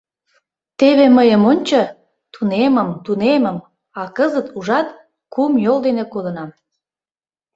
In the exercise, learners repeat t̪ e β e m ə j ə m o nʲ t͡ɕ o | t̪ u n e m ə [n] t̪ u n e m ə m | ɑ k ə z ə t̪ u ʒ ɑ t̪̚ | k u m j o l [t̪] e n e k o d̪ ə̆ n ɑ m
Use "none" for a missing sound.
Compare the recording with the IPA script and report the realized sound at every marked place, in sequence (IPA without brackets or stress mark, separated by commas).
m, d̪